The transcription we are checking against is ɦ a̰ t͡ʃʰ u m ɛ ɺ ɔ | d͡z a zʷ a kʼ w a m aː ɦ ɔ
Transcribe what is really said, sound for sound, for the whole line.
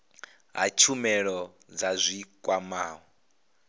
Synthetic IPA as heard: ɦ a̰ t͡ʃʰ u m ɛ ɺ ɔ | d͡z a zʷ i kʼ w a m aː ɦ ɔ